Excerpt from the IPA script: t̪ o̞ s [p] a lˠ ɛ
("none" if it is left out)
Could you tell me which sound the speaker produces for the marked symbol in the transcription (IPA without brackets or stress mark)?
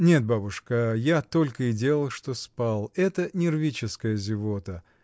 p